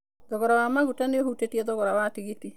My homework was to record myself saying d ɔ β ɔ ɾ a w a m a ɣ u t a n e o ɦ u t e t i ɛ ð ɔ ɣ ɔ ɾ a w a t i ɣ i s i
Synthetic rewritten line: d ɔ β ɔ ɾ a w a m a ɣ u t a n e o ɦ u t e t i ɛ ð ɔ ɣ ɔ ɾ a w a t i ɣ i t i